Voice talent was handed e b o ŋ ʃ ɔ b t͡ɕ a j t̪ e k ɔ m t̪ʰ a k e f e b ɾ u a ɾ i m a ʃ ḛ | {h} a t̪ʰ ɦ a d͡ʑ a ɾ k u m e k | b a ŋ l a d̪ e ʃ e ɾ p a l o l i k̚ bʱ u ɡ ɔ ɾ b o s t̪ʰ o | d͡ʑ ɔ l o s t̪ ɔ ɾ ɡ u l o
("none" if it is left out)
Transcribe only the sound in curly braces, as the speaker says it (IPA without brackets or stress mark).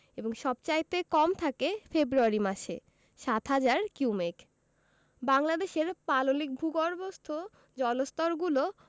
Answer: ʃ